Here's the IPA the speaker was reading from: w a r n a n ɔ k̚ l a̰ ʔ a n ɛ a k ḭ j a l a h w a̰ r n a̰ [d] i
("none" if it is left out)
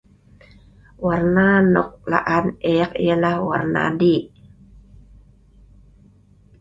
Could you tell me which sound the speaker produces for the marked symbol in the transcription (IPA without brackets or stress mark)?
d